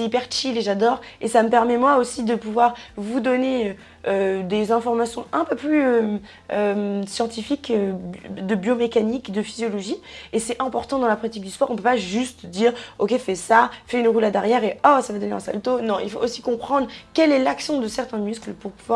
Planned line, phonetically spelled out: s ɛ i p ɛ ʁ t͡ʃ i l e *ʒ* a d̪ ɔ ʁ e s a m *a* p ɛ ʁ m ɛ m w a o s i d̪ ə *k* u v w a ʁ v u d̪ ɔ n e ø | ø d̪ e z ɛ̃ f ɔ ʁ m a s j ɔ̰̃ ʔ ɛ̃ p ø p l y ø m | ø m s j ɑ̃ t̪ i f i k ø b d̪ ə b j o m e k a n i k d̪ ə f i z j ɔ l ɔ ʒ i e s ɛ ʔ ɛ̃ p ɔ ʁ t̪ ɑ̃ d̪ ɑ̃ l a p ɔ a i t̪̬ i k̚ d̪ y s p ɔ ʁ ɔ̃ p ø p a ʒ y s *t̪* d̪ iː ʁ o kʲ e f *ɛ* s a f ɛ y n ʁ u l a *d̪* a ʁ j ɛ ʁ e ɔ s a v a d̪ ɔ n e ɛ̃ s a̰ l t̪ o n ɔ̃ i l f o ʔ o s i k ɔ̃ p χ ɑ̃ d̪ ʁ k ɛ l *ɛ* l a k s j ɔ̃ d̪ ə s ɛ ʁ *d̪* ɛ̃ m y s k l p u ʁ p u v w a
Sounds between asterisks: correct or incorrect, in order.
correct, incorrect: ə, incorrect: p, correct, correct, correct, correct, incorrect: t̪

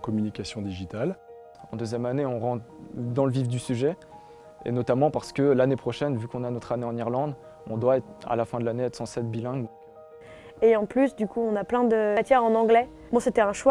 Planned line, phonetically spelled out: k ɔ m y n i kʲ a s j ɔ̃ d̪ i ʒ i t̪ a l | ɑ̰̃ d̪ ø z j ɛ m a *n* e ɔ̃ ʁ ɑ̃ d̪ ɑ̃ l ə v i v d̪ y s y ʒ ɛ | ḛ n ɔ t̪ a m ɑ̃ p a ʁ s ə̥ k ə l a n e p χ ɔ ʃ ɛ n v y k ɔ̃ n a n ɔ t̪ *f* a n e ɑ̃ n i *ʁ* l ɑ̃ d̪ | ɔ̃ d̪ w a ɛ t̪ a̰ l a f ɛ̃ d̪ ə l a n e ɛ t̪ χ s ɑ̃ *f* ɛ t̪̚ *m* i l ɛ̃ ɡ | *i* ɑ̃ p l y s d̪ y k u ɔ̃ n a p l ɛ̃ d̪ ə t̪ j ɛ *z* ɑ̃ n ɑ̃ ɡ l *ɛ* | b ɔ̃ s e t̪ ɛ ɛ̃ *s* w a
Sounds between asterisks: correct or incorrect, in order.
correct, incorrect: χ, correct, incorrect: s, incorrect: b, incorrect: e, incorrect: ʁ, correct, incorrect: ʃ

